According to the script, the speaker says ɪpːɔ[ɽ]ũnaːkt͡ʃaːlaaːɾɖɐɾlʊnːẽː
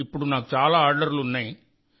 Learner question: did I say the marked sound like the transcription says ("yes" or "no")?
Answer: yes